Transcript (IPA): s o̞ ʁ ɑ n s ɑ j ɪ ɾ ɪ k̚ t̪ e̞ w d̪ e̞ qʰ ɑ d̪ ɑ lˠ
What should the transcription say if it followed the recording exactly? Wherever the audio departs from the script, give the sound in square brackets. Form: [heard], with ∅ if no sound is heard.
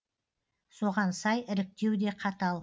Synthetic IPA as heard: s o̞ ʁ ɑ n s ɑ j ɪ ɾ ɪ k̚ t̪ e̞ w d̪ e̞ qʰ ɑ [t̪] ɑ lˠ